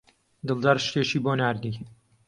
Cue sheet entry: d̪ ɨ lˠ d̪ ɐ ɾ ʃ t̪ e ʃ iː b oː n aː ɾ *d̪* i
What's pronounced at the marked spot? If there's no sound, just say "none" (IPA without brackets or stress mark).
d̪